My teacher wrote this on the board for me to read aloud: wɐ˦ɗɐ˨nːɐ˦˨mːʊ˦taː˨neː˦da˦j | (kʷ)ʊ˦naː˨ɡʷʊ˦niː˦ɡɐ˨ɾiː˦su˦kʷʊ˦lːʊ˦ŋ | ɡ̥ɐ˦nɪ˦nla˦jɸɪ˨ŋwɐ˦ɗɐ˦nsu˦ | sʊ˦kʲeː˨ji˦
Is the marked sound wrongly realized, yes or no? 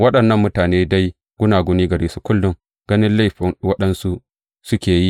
yes